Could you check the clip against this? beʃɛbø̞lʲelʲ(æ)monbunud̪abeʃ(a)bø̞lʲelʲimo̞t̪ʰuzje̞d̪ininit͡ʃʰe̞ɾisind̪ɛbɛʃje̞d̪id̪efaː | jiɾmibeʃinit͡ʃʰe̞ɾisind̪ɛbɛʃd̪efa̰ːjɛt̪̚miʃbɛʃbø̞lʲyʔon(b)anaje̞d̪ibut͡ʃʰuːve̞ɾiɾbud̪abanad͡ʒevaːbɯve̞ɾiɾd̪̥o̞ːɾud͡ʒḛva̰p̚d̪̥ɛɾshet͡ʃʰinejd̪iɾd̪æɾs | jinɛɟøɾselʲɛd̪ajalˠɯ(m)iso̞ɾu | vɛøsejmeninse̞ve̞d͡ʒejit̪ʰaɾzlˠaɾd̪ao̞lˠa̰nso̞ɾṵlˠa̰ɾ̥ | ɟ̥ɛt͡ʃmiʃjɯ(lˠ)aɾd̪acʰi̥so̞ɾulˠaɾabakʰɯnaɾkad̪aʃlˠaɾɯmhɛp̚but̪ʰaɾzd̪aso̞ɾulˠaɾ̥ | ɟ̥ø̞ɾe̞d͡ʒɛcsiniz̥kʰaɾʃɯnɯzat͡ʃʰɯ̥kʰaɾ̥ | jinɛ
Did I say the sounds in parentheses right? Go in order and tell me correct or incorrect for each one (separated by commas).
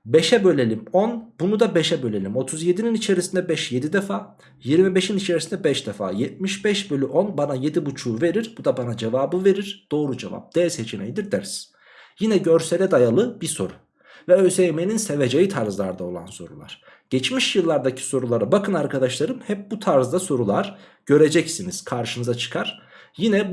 incorrect, incorrect, correct, incorrect, incorrect